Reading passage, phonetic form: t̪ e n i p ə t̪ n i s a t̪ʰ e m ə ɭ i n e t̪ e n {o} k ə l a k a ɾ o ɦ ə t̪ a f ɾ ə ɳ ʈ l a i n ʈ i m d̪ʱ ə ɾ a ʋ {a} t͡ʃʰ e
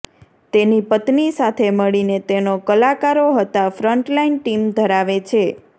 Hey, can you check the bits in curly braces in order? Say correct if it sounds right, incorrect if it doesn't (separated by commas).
correct, incorrect